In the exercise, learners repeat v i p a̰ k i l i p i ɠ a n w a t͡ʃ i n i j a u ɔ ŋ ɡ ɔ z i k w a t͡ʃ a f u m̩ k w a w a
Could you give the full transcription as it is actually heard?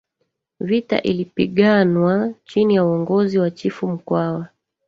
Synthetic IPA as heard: v i t a̰ ʔ i l i p i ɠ a n w a t͡ʃ i n i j a u ɔ ŋ ɡ ɔ z i w a t͡ʃ i f u m̩ k w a w a